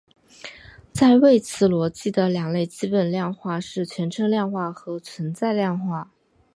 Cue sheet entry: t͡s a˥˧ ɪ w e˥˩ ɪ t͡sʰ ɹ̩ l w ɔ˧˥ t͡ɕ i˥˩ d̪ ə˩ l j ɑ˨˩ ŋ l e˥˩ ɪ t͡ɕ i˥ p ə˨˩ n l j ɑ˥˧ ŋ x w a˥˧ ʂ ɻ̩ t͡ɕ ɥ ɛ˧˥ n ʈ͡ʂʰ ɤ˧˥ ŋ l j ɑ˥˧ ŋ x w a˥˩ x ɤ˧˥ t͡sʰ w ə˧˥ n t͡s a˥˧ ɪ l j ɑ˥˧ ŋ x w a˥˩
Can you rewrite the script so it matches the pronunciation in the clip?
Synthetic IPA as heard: t͡s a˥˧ ɪ w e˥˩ ɪ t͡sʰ ɹ̩ l w ɔ˧˥ t͡ɕ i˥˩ d̪ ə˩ l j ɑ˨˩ ŋ l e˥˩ ɪ t͡ɕ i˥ p ə˨˩ n l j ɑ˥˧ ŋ x w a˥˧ ʂ ɻ̩ t͡ɕʰ ɥ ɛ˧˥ n ʈ͡ʂʰ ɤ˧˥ ŋ l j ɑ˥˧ ŋ x w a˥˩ x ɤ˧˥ t͡sʰ w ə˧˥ n t͡s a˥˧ ɪ l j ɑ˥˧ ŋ x w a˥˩